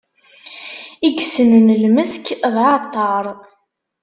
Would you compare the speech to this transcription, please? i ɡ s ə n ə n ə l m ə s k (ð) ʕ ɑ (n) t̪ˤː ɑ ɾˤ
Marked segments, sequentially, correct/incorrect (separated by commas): correct, incorrect